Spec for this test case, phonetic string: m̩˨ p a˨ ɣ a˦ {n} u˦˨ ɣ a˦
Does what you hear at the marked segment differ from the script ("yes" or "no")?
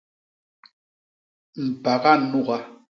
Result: no